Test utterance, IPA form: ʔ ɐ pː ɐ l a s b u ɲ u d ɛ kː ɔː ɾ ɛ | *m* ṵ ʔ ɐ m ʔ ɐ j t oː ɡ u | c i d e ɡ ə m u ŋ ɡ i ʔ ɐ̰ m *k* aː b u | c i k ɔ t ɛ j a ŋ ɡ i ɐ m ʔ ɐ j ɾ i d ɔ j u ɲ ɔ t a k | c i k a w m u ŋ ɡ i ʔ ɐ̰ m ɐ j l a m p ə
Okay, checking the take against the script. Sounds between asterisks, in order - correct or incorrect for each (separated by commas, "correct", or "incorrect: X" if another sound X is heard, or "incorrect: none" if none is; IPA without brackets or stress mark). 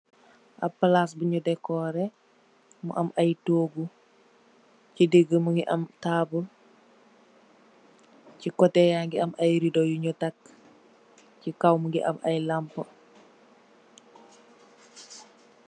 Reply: correct, incorrect: t